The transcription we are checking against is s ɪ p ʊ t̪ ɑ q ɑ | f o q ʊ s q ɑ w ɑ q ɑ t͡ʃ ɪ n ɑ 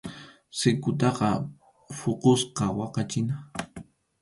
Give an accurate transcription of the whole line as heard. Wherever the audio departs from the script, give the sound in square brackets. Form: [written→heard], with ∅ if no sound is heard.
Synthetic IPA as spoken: s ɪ [p→k] ʊ t̪ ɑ q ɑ | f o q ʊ s q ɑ w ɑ q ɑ t͡ʃ ɪ n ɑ